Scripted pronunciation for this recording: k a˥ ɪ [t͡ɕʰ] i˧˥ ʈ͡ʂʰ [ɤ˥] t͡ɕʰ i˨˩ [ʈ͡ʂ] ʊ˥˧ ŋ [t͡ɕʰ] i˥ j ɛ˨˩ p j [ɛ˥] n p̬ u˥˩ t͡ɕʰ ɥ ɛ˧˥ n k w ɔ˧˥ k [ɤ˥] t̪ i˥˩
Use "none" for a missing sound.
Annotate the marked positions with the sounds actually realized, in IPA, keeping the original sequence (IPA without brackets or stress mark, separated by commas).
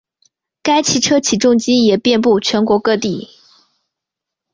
t͡ɕʰ, ɤ˥, ʈ͡ʂ, t͡ɕ, ɛ˥˧, ɤ˥˧